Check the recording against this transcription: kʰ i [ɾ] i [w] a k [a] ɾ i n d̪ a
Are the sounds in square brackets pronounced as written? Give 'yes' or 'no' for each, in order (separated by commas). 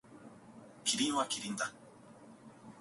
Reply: yes, yes, no